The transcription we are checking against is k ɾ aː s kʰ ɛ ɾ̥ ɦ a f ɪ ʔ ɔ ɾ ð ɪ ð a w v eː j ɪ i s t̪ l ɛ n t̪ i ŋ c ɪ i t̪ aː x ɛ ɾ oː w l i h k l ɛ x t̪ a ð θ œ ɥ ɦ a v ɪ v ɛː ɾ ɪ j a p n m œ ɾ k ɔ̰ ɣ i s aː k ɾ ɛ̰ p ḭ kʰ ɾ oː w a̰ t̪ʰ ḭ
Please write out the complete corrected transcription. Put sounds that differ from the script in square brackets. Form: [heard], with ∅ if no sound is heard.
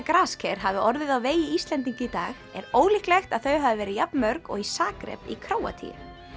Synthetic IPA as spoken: k ɾ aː s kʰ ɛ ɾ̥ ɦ a [v] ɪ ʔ ɔ ɾ ð ɪ ð a w v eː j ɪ i s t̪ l ɛ n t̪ i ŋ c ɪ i t̪ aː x ɛ ɾ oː w l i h k l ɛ x t̪ a ð θ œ ɥ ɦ a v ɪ v ɛː ɾ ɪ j a p n m œ ɾ k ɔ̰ ɣ i s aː k ɾ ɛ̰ p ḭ kʰ ɾ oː w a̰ t̪ʰ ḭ